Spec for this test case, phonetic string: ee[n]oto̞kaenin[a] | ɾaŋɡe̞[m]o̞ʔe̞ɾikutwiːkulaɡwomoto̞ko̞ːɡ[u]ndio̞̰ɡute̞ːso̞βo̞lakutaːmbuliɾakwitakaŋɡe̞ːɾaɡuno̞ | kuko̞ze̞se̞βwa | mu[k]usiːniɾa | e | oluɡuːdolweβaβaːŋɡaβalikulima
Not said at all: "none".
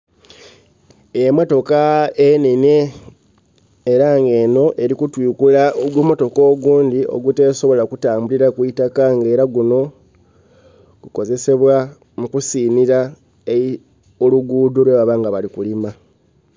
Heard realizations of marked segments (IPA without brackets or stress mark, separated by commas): m, e, n, uː, k